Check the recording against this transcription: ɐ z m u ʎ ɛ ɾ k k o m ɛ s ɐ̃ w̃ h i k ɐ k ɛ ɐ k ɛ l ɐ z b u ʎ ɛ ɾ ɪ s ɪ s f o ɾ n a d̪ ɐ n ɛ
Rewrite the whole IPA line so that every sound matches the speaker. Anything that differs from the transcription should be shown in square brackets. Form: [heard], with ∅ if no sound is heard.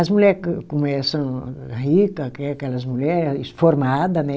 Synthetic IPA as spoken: ɐ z m u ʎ ɛ ɾ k k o m ɛ s ɐ̃ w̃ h i k ɐ k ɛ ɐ k ɛ l ɐ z [m] u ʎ ɛ ɾ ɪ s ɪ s f o ɾ [m] a d̪ ɐ n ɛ